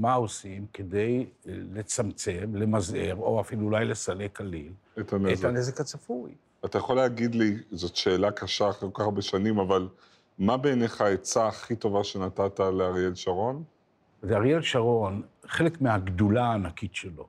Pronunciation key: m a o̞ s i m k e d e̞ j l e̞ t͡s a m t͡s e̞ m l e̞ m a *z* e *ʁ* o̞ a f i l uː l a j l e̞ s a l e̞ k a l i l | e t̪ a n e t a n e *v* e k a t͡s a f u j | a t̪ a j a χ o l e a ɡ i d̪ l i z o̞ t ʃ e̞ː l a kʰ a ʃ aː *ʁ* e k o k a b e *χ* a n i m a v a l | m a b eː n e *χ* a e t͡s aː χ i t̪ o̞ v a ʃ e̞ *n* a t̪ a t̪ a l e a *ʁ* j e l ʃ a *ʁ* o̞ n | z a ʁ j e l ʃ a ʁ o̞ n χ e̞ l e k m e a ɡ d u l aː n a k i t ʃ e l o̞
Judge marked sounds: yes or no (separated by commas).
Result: yes, yes, no, no, no, yes, yes, yes, yes